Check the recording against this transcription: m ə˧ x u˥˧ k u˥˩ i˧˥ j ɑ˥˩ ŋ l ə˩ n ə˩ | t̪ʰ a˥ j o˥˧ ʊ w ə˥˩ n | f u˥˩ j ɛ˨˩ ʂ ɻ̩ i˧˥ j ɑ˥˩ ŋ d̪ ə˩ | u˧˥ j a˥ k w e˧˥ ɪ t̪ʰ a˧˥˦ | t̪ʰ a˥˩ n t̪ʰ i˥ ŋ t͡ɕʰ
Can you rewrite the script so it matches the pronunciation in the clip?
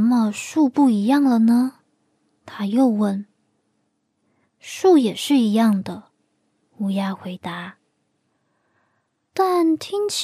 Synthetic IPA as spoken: m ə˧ ʂ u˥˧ p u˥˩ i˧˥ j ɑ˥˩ ŋ l ə˩ n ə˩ | t̪ʰ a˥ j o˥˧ ʊ w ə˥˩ n | ʂ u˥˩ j ɛ˨˩ ʂ ɻ̩ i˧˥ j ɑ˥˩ ŋ d̪ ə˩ | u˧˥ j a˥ x w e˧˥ ɪ t̪ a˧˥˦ | t̪ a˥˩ n t̪ʰ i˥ ŋ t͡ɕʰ